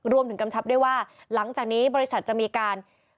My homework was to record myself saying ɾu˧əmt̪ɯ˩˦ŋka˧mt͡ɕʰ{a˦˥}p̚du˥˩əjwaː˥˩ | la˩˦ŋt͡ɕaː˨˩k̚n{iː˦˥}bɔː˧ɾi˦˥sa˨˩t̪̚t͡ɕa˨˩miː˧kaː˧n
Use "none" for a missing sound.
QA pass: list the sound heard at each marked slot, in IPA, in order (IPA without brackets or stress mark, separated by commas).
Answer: a˦˥, iː˦˥